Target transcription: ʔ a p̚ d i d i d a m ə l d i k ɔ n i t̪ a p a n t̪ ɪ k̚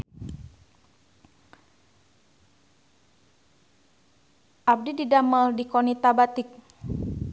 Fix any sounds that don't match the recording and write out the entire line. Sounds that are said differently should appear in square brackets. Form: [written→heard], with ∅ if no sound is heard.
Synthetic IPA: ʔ a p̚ d i d i d a m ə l d i k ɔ n i t̪ a [p→b] a [n→∅] t̪ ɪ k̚